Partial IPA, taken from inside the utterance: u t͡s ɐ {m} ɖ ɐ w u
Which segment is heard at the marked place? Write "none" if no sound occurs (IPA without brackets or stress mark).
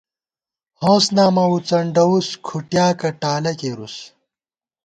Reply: ɳ